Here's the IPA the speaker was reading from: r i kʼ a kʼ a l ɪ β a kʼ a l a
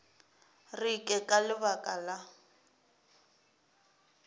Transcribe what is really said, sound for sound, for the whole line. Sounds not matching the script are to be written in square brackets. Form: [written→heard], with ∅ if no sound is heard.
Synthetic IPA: r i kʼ [a→ɛ] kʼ a l ɪ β a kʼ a l a